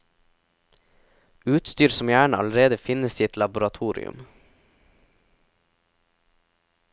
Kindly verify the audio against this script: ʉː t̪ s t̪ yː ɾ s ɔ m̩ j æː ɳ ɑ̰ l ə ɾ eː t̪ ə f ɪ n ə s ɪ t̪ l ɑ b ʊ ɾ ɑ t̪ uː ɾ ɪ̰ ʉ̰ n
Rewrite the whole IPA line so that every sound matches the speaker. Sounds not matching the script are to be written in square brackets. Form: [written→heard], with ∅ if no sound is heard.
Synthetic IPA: ʉː t̪ s t̪ yː ɾ s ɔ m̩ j æː ɳ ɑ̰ l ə ɾ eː [t̪→d̪] ə f ɪ n ə s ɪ t̪ l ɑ b ʊ ɾ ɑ [t̪→t̪ʰ] uː ɾ ɪ̰ ʉ̰ [n→m]